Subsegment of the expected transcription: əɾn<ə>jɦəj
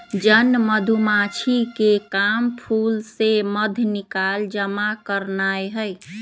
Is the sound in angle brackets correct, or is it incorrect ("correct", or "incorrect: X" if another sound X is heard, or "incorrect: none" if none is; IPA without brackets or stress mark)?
incorrect: a